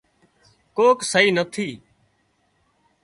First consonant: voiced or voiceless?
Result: voiceless